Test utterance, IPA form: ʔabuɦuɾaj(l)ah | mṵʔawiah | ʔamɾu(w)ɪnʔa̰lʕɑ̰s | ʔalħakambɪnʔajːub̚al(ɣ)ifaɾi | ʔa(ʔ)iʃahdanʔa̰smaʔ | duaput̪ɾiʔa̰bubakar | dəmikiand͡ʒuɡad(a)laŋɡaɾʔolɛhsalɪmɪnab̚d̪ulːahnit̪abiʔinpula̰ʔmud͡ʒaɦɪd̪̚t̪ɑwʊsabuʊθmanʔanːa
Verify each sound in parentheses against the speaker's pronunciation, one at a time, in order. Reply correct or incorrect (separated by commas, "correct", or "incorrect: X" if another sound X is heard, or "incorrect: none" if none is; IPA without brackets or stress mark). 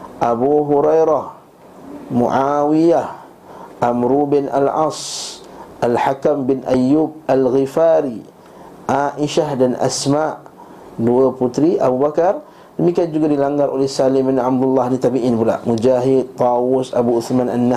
incorrect: ɾ, incorrect: b, correct, correct, incorrect: i